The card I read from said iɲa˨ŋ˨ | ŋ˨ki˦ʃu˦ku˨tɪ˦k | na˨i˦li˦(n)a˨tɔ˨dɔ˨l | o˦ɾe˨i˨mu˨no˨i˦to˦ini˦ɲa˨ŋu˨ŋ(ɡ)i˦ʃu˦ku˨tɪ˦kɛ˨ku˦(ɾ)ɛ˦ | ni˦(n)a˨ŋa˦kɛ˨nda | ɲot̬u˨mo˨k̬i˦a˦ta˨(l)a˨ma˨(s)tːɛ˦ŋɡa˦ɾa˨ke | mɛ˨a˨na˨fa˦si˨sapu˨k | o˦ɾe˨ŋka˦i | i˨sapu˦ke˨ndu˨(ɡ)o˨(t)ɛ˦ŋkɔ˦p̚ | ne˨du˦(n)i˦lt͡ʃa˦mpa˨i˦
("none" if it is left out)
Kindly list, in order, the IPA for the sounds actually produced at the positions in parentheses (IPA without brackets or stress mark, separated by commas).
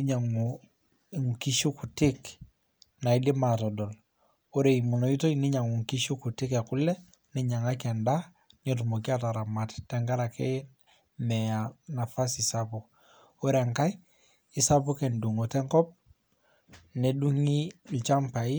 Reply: m, k, l, ɲ, ɾ, t, ŋ, t, ŋ